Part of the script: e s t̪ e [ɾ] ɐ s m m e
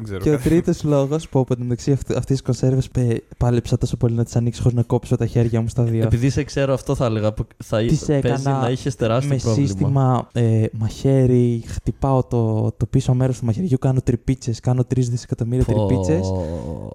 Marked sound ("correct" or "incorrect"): correct